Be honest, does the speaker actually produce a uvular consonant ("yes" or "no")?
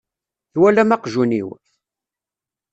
yes